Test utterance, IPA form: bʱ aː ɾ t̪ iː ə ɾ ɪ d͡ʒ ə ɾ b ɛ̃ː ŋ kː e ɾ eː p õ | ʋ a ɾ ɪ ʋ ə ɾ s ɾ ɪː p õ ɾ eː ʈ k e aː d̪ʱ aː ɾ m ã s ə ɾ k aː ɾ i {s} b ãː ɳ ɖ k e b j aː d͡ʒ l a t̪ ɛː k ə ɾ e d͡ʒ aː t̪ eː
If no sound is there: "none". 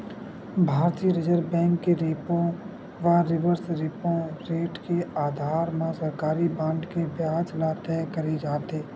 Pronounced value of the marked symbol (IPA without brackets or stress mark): none